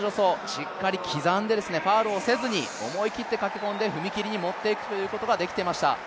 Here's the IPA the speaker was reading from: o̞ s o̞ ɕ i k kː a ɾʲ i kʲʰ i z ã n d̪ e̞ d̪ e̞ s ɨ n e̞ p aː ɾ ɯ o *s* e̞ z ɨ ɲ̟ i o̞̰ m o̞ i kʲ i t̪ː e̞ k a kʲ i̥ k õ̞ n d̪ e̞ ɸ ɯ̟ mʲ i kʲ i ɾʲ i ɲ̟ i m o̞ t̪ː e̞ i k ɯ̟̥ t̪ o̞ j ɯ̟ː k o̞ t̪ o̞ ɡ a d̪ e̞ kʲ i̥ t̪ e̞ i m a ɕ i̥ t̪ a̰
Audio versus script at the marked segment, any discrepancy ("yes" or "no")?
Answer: no